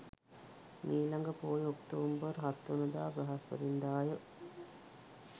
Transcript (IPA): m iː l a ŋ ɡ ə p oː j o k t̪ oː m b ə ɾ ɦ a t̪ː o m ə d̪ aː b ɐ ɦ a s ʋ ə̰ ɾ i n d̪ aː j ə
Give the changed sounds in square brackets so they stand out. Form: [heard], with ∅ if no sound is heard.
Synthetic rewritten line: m iː l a ŋ ɡ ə p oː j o k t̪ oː m b ə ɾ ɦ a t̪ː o [n] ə d̪ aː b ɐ ɦ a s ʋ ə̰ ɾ i n d̪ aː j ə

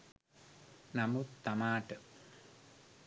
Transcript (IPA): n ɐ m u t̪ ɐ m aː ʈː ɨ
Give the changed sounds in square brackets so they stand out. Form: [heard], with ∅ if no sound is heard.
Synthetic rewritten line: n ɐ m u t̪ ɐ m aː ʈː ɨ

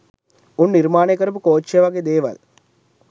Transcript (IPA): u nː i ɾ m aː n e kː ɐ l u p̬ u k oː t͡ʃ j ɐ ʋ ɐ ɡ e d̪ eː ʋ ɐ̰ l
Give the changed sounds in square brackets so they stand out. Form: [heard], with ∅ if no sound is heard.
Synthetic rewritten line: u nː i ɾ m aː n e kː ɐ [ɾ] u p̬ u k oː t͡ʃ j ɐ ʋ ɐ ɡ e d̪ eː ʋ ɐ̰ l

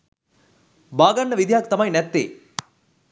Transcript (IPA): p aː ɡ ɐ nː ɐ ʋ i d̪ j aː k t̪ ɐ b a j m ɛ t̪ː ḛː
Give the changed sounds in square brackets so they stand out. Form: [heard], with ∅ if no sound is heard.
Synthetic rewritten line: [b] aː ɡ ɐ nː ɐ ʋ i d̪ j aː k t̪ ɐ [m] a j [n] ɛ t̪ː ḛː

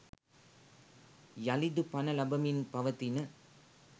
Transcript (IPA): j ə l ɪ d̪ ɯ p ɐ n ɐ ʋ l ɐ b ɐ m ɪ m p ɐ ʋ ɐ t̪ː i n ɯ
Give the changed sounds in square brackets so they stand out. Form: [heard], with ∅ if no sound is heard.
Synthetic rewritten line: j [ɐ] l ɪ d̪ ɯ p ɐ n ɐ [∅] l ɐ b ɐ m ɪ [n] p ɐ ʋ ɐ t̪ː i n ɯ

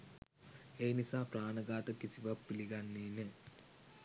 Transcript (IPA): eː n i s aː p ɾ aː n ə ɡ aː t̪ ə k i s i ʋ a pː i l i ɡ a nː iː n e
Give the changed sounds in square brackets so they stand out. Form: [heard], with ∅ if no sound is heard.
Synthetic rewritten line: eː n i s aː p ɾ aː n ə ɡ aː t̪ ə k i s i ʋ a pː i l i ɡ a nː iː n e

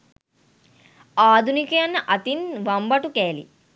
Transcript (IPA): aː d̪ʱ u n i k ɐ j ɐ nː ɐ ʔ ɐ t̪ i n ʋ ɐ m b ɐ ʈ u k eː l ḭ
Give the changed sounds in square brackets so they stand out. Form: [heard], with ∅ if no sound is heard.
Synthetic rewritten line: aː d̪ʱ u n i k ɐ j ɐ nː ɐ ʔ ɐ t̪ i n ʋ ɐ m b ɐ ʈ u k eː l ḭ

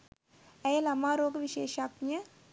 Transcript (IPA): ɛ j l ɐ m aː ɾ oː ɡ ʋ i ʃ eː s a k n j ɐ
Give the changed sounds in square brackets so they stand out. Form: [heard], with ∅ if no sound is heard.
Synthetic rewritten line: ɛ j l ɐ m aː ɾ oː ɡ ʋ i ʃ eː [ʃ] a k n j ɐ

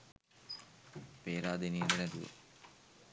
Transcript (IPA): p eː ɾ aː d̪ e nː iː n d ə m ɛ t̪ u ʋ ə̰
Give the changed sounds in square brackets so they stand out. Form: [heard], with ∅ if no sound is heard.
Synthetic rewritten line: p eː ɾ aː d̪ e [n] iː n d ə [n] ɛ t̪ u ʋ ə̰

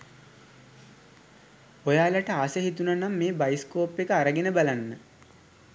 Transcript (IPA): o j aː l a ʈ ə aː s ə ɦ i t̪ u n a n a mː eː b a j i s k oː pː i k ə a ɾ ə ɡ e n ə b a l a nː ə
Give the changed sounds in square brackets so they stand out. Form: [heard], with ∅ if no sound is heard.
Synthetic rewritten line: o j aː l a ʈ ə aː s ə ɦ i t̪ u n a n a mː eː b a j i s k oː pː [e] k ə a ɾ ə ɡ e n ə b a l a nː ə

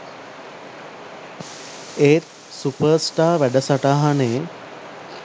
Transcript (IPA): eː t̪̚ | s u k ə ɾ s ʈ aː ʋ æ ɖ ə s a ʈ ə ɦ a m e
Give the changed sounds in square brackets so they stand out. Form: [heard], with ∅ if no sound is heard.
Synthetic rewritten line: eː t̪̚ | s u [p] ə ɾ s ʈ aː ʋ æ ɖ ə s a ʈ [a] ɦ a [n] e

